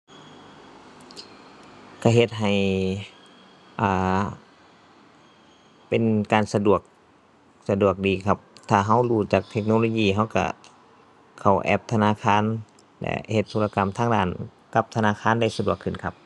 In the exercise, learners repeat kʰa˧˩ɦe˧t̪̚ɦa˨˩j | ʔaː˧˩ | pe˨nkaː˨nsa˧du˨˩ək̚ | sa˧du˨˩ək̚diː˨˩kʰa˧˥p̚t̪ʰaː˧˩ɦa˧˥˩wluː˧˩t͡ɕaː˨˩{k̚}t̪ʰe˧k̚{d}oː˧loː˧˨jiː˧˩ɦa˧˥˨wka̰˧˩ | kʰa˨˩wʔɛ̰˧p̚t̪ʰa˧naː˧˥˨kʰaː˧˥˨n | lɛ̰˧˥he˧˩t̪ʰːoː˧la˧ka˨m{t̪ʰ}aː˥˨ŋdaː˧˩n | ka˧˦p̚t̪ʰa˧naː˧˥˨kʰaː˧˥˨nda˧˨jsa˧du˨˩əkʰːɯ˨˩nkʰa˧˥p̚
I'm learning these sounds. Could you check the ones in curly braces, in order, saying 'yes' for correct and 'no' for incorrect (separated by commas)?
yes, no, yes